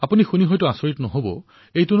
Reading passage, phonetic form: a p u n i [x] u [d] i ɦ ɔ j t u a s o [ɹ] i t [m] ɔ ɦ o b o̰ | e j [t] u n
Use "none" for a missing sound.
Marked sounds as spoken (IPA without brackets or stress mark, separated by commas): x, n, ɹ, n, t